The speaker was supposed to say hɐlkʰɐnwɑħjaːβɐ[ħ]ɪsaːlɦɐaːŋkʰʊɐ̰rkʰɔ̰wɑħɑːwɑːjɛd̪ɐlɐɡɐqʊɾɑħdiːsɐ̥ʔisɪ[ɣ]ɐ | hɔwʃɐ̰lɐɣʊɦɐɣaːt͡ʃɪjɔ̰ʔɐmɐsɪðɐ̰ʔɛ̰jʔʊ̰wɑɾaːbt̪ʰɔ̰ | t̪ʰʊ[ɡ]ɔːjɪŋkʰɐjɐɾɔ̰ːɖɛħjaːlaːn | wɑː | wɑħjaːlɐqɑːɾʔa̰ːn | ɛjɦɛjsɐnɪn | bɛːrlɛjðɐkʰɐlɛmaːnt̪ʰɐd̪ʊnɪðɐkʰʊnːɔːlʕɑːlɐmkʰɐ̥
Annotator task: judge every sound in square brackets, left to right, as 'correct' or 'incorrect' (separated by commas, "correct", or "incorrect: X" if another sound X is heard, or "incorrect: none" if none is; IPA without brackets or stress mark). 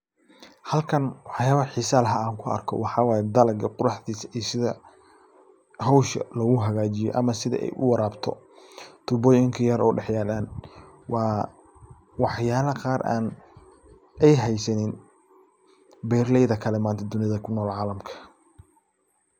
correct, incorrect: ð, incorrect: b